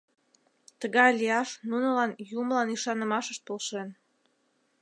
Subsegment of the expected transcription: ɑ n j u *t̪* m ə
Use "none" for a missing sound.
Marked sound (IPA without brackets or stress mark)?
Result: none